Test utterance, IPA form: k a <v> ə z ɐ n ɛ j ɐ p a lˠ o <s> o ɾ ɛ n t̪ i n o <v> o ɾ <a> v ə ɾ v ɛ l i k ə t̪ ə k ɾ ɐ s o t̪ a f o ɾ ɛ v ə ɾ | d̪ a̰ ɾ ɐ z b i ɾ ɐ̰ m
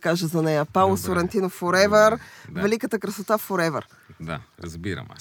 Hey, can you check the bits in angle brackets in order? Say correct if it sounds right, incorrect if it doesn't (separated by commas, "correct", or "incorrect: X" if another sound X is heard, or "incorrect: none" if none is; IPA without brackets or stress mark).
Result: incorrect: ʒ, correct, incorrect: f, incorrect: ɛ